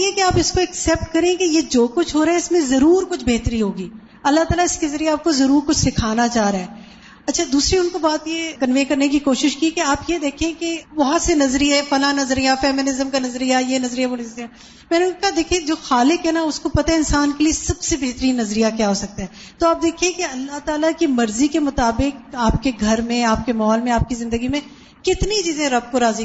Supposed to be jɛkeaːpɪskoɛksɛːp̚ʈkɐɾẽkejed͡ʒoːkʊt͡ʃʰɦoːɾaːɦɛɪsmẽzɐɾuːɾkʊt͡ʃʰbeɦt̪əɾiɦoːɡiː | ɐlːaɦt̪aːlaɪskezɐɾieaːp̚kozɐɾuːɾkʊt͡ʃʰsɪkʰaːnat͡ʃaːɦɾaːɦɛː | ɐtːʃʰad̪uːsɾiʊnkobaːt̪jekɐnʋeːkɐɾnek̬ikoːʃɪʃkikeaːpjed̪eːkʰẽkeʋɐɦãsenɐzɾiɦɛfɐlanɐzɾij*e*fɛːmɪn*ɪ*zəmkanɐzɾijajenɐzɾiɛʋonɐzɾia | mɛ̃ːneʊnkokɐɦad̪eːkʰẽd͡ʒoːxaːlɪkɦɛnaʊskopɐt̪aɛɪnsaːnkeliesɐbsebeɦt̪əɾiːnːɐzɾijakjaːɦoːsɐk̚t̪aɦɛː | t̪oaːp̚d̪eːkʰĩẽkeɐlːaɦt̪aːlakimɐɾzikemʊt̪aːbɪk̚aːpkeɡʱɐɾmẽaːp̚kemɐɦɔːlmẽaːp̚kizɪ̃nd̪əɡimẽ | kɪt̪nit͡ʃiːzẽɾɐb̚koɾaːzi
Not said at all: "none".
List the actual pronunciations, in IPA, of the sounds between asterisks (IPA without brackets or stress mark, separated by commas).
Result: a, ɪ